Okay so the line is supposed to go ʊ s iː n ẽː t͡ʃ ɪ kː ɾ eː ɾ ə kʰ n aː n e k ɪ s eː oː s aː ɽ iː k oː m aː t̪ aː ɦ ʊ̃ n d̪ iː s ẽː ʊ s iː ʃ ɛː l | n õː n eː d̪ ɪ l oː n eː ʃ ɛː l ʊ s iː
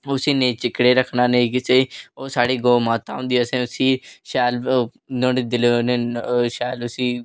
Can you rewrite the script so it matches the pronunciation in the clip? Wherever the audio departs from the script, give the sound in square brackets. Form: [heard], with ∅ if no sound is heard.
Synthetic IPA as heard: ʊ s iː n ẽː t͡ʃ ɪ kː [ɽ] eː ɾ ə kʰ n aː n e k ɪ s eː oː s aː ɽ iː [ɡ] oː m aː t̪ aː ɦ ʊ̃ n d̪ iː s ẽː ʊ s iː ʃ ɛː l | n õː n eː d̪ ɪ l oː n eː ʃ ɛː l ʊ s iː